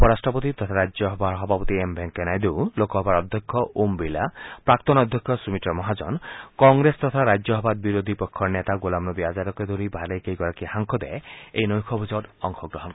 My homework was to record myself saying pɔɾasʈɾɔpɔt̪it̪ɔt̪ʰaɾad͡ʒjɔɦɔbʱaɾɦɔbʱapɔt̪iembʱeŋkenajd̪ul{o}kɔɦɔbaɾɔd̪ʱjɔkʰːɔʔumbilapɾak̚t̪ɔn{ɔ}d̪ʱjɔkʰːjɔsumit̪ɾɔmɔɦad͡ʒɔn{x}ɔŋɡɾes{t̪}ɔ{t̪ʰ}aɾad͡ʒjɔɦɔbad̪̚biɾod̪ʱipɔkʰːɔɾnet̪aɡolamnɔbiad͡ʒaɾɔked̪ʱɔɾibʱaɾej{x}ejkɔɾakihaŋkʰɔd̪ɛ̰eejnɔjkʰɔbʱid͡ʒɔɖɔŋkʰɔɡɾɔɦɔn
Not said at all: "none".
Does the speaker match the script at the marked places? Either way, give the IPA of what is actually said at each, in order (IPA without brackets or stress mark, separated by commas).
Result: o, ɔ, k, t̪, t̪ʰ, k